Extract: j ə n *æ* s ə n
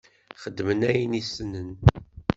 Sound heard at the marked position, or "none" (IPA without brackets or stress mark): i